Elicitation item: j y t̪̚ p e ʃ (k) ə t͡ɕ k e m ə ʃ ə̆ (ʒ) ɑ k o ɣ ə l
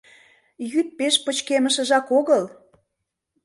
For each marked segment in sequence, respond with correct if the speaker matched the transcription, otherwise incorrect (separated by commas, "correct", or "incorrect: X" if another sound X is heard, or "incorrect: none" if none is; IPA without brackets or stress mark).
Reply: incorrect: p, correct